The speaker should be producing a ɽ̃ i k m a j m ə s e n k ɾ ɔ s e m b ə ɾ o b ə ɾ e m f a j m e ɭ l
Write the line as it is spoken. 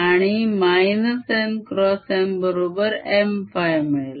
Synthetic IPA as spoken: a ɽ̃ i m a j n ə s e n k ɾ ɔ s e m b ə ɾ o b ə ɾ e m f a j m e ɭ l

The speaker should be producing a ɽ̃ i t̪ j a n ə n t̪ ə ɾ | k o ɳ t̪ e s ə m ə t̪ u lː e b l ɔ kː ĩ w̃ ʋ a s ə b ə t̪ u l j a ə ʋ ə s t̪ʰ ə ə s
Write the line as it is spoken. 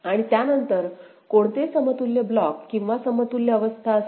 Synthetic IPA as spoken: a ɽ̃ i t̪ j a n ə n t̪ ə ɾ | k o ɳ t̪ e s ə m ə t̪ u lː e b l ɔ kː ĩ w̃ ʋ a s ə m ə t̪ u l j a ə ʋ ə s t̪ʰ a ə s

